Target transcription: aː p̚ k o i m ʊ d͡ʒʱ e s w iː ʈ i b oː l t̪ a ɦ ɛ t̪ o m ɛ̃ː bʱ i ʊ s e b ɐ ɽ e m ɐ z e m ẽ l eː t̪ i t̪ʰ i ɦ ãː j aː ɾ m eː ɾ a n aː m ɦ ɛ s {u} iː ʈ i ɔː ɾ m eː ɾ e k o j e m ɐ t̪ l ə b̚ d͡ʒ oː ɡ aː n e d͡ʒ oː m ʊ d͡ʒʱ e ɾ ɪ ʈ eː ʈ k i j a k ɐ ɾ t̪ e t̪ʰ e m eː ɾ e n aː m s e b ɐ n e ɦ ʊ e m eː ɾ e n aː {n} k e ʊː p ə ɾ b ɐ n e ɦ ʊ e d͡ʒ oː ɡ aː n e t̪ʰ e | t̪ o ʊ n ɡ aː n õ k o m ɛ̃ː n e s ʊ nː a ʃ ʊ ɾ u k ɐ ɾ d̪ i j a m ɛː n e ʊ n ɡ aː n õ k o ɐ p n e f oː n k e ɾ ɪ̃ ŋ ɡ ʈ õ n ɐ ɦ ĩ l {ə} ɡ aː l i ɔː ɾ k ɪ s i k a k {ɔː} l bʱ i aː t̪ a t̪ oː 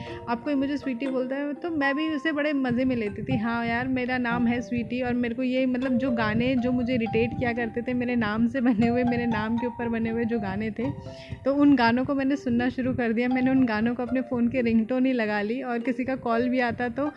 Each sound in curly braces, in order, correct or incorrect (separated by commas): incorrect, incorrect, incorrect, correct